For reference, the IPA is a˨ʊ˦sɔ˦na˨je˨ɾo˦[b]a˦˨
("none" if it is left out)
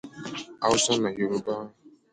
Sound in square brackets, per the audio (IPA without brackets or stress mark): b